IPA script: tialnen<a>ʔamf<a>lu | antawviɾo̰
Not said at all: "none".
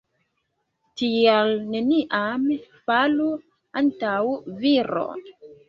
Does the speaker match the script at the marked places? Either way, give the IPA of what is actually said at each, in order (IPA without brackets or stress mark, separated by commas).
i, a